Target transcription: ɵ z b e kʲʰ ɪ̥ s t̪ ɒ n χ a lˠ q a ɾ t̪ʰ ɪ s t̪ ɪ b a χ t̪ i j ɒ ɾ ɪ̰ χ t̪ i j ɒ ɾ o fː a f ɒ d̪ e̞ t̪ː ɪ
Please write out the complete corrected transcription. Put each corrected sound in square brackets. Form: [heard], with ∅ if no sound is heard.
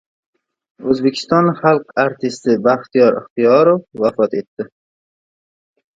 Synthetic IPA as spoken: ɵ z b e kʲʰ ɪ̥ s t̪ ɒ n χ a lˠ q a ɾ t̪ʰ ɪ s t̪ ɪ b a χ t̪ i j ɒ ɾ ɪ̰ χ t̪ i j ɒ ɾ o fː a f ɒ [t̪] e̞ t̪ː ɪ